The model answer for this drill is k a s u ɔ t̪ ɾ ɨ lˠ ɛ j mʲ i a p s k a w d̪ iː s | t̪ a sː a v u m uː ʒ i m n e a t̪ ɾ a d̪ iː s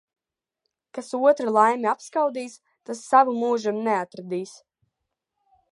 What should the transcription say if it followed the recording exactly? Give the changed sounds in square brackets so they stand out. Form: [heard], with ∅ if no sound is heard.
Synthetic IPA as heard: k a s u ɔ t̪ ɾ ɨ lˠ [a] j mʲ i a p s k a w d̪ iː s | t̪ a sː a v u m uː ʒ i m n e a t̪ ɾ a d̪ iː s